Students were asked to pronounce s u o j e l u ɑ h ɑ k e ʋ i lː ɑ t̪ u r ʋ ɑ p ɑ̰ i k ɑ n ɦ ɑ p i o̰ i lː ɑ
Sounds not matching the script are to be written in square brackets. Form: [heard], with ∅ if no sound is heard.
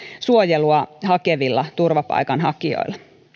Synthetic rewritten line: s u o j e l u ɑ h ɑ k e ʋ i lː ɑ t̪ u r ʋ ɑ p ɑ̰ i k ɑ n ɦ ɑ [k] i o̰ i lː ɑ